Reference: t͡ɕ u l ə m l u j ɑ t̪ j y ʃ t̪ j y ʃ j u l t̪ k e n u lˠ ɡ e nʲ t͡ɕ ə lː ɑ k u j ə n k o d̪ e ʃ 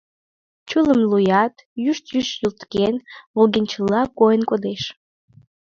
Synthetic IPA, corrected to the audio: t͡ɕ u l ə m l u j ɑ t̪ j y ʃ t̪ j y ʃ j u l t̪ k e n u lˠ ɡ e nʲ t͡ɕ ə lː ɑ k o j ə n k o d̪ e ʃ